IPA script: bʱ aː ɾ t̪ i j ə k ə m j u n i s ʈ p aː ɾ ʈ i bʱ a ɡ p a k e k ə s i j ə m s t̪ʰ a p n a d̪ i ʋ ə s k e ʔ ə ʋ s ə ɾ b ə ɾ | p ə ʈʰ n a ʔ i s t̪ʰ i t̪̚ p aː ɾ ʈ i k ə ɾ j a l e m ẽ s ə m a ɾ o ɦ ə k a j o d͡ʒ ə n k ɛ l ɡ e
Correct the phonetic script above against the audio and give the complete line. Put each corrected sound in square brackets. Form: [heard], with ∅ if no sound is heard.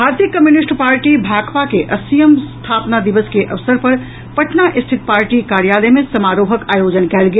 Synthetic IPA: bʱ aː ɾ t̪ i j ə k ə m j u n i s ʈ p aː ɾ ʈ i bʱ a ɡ p a k e [ʔ] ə s i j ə m s t̪ʰ a p n a d̪ i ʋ ə s k e ʔ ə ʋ s ə ɾ [p] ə ɾ | p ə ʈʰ n a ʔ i s t̪ʰ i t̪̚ p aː ɾ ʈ i k [a] ɾ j a l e m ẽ s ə m a ɾ o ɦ ə k a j o d͡ʒ ə n k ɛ l ɡ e